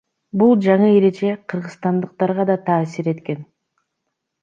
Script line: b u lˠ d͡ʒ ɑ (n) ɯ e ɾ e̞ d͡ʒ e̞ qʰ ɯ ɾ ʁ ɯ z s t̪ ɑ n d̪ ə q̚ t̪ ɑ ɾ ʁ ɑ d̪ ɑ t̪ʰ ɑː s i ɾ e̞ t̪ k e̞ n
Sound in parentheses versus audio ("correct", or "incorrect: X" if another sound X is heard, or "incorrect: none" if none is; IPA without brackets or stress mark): incorrect: ɴ